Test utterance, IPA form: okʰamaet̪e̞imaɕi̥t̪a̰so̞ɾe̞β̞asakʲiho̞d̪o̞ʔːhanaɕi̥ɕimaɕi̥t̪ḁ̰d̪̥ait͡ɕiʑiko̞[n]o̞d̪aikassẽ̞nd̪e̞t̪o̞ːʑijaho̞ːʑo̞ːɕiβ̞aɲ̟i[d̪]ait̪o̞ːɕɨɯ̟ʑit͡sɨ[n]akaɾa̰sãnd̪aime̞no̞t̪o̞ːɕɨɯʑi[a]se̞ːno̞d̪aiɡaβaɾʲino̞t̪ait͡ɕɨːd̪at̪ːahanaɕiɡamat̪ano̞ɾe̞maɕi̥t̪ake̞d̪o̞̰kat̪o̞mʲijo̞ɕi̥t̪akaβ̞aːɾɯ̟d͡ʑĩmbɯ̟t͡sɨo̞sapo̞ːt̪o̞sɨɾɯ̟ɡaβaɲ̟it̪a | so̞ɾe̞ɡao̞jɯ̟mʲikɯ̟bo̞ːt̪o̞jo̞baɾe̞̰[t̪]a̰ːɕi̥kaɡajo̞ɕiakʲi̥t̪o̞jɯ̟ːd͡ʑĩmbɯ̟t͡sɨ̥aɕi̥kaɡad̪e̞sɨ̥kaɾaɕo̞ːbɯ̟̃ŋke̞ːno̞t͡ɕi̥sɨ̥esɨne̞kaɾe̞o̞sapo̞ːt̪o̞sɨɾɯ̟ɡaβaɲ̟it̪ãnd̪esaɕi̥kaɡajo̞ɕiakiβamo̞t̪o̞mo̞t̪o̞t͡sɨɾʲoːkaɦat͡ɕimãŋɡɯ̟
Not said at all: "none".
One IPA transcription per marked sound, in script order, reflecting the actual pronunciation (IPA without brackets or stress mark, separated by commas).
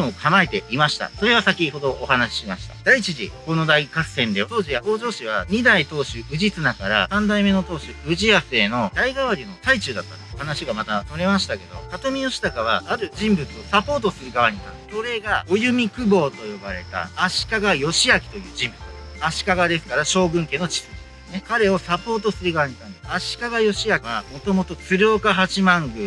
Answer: n, d̪, n, a, t̪